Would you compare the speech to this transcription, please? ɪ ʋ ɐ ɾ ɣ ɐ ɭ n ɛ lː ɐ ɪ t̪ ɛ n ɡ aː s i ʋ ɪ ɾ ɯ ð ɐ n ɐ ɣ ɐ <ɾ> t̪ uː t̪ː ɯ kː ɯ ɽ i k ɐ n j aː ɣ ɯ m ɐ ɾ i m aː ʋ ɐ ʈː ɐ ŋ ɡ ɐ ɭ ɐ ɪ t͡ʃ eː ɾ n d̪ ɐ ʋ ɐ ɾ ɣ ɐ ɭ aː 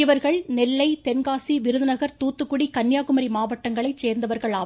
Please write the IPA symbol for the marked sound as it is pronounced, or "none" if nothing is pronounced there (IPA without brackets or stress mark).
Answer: ɾ